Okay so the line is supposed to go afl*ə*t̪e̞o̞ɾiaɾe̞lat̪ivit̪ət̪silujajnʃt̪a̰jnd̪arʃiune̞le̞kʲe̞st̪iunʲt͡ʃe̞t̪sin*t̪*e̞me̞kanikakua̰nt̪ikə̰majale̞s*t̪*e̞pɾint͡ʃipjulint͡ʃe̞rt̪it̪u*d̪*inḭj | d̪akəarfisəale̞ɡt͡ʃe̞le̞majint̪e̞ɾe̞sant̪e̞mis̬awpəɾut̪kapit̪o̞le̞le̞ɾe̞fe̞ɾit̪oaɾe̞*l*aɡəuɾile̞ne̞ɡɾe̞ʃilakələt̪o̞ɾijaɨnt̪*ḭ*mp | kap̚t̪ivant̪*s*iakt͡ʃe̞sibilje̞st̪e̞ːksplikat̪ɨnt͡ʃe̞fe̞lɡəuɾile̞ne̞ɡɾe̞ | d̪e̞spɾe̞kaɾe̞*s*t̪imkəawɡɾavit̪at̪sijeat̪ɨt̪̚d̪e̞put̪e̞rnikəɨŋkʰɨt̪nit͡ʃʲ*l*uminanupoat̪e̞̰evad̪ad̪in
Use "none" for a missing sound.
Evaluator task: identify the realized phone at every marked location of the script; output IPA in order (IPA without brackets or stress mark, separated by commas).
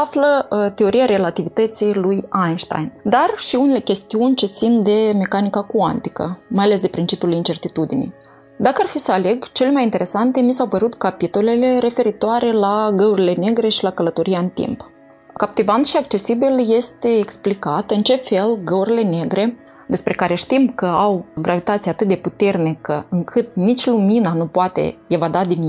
ə, d̪, d̪, d̪, l, ḭ, ʃ, ʃ, l